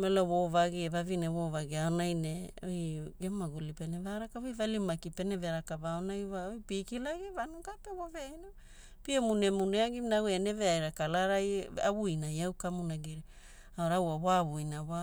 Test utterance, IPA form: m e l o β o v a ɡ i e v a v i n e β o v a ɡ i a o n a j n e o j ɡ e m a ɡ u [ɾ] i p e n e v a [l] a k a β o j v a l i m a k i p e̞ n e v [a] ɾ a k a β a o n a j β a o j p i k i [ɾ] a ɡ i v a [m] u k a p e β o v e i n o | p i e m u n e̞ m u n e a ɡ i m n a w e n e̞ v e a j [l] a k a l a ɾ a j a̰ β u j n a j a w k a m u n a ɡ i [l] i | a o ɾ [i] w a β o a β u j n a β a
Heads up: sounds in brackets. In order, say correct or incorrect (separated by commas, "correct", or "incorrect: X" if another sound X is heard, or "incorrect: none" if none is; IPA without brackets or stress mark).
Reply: incorrect: l, incorrect: ɾ, incorrect: e, incorrect: l, incorrect: n, incorrect: ɾ, incorrect: ɾ, incorrect: a